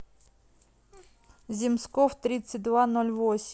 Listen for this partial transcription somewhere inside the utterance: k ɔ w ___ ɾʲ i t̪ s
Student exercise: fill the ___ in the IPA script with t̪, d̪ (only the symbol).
t̪